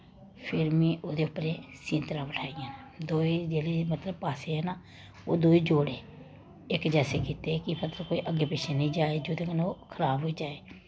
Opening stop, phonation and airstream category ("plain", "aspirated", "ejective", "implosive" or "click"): aspirated